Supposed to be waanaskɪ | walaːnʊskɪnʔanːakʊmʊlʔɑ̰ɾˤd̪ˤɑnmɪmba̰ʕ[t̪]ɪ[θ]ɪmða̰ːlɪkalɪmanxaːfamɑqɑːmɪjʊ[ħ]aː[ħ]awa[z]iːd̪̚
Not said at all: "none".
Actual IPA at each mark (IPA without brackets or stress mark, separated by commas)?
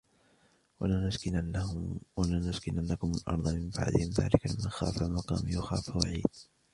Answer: d̪, h, x, f, ʕ